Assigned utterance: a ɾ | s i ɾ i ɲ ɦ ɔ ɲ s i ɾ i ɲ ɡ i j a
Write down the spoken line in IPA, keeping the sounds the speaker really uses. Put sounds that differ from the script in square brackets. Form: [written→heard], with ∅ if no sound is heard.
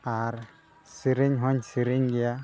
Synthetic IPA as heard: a ɾ | s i ɾ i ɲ ɦ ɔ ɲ s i ɾ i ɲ ɡ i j a